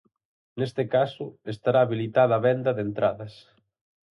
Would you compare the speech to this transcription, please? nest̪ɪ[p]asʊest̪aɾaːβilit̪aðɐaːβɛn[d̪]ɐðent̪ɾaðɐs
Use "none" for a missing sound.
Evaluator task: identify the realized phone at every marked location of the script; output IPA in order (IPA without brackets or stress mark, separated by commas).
k, d̪